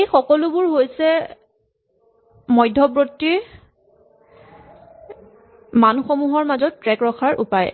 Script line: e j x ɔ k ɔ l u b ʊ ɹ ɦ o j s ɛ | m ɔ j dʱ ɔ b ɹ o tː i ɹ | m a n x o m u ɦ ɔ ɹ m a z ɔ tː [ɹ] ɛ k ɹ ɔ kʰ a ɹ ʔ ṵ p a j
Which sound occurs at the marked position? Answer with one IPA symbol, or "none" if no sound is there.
ɹ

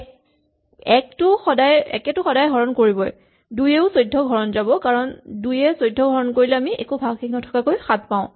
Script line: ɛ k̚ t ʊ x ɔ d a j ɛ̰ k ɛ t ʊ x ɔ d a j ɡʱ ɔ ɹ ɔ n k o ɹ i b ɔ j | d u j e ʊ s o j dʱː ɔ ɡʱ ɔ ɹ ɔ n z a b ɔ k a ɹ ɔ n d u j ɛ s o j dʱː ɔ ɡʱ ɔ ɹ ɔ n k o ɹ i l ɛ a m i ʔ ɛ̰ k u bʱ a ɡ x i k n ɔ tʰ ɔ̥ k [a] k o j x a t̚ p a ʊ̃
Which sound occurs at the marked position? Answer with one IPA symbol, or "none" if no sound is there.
a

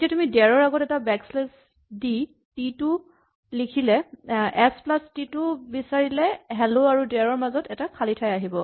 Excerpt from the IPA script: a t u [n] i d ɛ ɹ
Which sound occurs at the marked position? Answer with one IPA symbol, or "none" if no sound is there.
m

